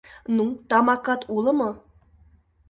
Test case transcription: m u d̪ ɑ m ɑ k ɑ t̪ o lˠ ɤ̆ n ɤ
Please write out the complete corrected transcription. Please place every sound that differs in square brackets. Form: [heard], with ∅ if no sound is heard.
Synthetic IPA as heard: [n] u [t̪] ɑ m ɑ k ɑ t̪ [u] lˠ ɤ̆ [m] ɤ